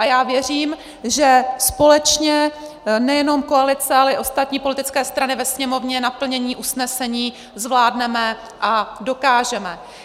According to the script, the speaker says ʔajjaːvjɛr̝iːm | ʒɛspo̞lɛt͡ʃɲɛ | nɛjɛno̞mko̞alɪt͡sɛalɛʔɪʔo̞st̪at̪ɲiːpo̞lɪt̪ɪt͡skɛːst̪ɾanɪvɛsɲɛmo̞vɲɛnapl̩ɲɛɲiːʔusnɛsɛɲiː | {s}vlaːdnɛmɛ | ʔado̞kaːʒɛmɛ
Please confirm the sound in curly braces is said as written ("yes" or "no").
no